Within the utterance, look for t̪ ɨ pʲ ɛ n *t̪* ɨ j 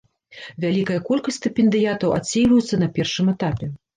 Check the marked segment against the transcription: incorrect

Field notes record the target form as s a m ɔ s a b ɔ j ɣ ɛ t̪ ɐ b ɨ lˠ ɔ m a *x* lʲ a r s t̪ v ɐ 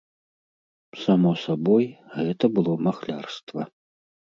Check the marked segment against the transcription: correct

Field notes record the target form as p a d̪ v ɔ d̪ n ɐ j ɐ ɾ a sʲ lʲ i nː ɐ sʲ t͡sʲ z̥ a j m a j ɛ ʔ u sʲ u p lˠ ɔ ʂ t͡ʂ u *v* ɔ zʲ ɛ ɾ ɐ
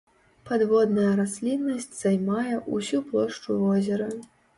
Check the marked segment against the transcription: correct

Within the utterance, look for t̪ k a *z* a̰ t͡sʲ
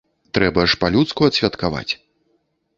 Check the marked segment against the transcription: incorrect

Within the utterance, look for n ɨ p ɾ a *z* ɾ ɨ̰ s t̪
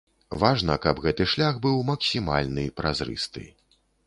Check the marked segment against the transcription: correct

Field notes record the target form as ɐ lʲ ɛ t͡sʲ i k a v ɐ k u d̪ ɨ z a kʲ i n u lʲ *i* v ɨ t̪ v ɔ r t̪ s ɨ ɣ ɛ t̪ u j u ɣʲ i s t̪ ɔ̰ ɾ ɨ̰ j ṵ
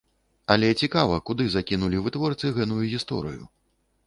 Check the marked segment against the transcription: correct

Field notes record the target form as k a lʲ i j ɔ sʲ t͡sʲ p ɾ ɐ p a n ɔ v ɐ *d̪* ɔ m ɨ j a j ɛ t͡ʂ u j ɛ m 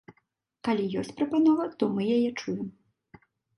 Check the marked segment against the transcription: incorrect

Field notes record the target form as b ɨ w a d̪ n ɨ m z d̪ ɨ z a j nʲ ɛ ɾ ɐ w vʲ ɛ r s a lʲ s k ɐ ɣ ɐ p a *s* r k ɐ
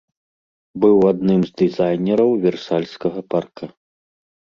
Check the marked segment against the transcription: incorrect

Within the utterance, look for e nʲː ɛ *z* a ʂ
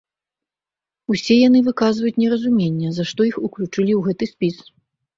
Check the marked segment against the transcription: correct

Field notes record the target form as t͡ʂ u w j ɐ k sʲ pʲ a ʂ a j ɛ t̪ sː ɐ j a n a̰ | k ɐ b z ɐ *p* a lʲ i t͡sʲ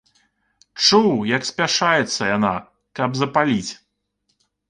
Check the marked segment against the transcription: correct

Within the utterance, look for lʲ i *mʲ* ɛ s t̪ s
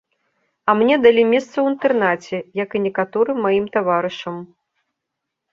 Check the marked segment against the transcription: correct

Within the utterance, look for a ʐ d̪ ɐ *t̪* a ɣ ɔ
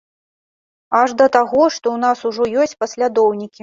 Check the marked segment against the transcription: correct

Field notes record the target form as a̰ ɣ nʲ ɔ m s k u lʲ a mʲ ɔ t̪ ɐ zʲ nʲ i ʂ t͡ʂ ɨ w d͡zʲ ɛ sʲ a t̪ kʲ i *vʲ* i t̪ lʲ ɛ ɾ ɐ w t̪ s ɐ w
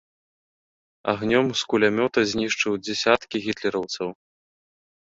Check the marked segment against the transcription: incorrect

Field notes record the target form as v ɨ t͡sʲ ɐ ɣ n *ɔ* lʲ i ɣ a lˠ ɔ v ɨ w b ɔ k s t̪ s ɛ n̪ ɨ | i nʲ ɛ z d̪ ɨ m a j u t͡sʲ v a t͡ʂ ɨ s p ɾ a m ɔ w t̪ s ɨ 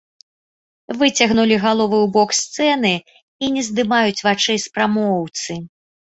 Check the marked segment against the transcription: incorrect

